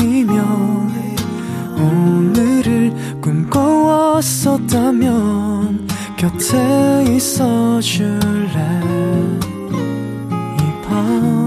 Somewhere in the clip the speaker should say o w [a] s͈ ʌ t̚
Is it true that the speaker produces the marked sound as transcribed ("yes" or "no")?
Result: no